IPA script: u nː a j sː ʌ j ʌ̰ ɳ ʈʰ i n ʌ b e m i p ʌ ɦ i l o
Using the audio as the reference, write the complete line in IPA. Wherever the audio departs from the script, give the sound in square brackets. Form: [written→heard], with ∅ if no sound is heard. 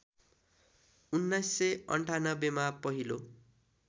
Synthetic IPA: u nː a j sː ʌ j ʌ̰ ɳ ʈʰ [i→a] n ʌ b e m [i→a] p ʌ ɦ i l o